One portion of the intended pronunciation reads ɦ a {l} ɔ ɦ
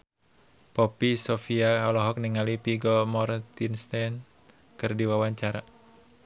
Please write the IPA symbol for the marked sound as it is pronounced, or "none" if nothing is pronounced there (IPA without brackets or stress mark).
l